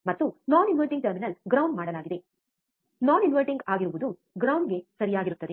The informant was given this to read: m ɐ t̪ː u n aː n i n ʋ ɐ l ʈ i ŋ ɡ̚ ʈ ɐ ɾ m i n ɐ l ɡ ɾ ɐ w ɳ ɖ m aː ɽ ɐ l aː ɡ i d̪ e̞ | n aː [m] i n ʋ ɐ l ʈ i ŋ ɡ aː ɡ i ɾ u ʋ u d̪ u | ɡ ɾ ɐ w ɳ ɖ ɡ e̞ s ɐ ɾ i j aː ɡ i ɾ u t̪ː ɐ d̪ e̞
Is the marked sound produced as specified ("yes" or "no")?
no